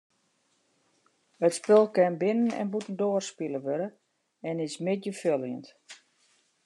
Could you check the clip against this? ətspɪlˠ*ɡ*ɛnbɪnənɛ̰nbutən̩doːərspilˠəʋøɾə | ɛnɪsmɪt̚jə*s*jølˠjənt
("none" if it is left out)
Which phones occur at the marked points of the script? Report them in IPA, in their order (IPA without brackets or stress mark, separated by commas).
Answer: k, f